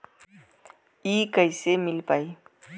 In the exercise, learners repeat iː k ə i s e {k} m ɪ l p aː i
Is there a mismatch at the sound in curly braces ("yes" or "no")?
yes